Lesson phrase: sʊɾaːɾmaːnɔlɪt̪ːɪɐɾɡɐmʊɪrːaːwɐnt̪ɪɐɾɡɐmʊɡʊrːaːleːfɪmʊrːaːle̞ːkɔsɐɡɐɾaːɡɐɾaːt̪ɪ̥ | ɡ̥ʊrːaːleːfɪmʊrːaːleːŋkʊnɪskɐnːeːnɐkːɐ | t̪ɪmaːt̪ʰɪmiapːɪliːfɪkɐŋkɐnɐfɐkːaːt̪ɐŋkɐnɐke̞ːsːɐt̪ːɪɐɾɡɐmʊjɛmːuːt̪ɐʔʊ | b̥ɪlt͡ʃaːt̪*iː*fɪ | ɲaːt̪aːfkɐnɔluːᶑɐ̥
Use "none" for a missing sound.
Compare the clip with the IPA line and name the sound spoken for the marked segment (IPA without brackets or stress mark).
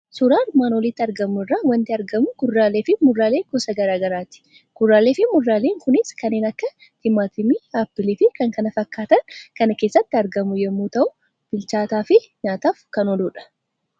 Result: aː